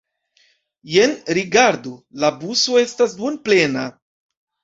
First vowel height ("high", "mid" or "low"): mid